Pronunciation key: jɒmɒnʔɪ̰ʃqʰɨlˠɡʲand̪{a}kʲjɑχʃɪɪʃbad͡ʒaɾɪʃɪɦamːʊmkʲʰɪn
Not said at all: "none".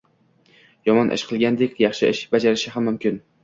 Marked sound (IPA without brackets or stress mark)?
e